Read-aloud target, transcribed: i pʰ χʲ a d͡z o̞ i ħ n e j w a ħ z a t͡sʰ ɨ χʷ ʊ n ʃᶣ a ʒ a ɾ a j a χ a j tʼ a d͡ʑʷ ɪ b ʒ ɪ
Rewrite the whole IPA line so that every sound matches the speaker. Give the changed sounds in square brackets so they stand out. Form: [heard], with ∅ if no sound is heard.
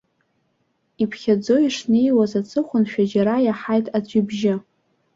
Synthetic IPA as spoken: i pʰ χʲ a d͡z o̞ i [ʂ] n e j w a [∅] z a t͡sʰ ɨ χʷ ʊ n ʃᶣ a [d͡ʒ] a ɾ a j a [ħ] a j tʼ a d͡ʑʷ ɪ b ʒ ɪ